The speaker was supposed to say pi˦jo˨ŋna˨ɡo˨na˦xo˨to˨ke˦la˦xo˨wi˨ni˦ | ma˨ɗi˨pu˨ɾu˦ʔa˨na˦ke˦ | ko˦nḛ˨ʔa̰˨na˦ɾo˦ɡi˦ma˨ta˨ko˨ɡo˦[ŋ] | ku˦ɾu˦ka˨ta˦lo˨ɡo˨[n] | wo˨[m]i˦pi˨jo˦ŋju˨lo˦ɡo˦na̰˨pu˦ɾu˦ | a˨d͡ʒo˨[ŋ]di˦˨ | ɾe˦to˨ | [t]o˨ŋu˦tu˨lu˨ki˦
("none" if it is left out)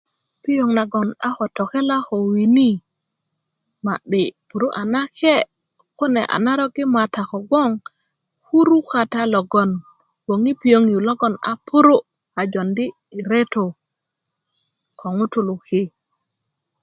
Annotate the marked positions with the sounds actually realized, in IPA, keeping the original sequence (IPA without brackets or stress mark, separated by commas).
ŋ, n, ŋ, n, k